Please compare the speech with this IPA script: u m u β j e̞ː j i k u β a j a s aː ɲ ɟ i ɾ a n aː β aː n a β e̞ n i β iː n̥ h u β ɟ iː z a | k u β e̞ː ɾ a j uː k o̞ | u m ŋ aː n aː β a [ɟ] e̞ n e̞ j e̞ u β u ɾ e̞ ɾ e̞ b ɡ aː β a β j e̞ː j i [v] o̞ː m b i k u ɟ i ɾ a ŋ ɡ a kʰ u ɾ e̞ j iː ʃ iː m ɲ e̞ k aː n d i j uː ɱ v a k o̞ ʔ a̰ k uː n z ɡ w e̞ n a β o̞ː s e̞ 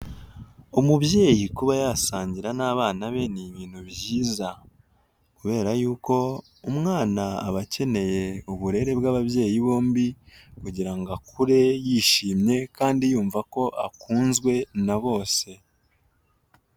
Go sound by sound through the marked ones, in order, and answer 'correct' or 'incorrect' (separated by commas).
incorrect, incorrect